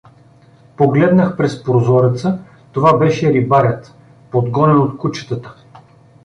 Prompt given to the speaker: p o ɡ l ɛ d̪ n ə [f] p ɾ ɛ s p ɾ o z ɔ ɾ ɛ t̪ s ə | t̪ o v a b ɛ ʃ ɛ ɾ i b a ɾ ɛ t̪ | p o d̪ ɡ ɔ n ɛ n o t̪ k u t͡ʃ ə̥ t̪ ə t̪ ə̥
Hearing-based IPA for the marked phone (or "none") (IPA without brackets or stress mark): x